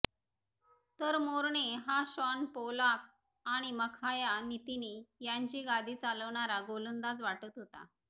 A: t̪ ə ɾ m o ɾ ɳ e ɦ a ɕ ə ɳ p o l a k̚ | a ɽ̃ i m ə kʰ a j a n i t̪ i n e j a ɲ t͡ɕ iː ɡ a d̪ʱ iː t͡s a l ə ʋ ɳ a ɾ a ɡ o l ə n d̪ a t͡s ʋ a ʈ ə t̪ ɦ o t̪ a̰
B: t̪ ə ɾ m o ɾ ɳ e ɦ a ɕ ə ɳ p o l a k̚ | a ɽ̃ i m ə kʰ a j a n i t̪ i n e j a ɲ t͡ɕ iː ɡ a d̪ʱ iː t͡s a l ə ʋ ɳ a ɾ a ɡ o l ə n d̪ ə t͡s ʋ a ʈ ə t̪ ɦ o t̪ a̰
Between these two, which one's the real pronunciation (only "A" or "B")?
A